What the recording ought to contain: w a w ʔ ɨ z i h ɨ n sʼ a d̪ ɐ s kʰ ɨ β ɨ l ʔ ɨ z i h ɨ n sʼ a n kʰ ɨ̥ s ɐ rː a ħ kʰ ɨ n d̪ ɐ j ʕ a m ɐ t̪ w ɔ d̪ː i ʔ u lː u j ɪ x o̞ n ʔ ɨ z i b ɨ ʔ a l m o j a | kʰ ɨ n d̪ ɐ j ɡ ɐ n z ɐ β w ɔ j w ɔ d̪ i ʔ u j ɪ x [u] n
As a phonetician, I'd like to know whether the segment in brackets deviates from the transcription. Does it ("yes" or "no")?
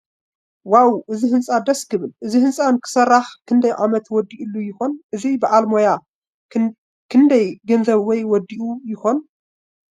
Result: yes